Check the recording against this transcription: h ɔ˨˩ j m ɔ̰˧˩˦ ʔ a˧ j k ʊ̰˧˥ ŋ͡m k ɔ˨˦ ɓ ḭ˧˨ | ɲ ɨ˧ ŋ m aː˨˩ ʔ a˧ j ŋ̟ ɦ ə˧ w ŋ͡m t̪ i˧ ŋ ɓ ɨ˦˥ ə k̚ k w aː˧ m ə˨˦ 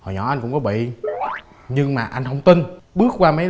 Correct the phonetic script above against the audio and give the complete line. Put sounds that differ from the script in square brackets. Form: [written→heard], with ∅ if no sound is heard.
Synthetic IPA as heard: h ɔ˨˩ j [m→ɲ] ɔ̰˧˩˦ ʔ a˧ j k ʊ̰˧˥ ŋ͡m k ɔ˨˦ ɓ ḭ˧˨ | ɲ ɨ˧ ŋ m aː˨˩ ʔ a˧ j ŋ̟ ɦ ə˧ w ŋ͡m t̪ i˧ [ŋ→n] ɓ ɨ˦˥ ə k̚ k w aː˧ m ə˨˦